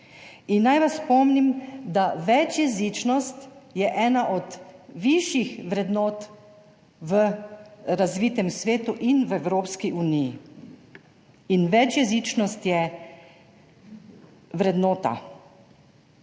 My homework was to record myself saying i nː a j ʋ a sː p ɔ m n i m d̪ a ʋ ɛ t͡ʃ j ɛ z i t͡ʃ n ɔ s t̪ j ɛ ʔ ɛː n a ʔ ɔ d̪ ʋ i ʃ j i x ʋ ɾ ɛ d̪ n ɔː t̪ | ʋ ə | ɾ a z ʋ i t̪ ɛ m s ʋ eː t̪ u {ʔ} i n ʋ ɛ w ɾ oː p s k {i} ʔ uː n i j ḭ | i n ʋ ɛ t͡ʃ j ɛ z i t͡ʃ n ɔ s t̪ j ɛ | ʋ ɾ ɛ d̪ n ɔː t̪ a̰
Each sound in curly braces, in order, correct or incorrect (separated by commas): correct, correct